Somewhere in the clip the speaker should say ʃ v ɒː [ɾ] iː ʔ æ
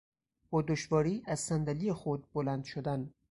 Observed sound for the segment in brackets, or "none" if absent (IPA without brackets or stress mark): ɾ